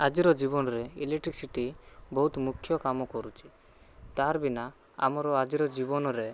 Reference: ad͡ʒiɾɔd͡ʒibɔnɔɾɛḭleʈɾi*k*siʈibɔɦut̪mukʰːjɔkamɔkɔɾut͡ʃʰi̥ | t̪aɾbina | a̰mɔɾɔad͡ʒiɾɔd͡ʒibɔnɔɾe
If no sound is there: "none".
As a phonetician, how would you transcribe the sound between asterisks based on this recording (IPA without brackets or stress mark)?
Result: k